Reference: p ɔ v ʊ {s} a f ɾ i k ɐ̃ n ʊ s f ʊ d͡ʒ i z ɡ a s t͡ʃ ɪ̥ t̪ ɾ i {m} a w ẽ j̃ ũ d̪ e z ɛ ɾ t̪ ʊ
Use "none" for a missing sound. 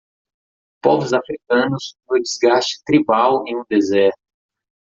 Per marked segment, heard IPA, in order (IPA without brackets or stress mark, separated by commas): z, b